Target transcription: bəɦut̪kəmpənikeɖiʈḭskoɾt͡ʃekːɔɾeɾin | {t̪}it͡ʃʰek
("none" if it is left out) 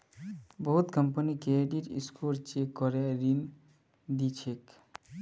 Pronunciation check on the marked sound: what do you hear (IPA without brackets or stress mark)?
d̪